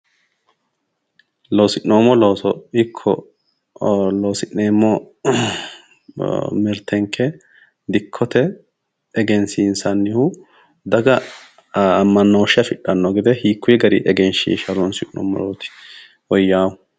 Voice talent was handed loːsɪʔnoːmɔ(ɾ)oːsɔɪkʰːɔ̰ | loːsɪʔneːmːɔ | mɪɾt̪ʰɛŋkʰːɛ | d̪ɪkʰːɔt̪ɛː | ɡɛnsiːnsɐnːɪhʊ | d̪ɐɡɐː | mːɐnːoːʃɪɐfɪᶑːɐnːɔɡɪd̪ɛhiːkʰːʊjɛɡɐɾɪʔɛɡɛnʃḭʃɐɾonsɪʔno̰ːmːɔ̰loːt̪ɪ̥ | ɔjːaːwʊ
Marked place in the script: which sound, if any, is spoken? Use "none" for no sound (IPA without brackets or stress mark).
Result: l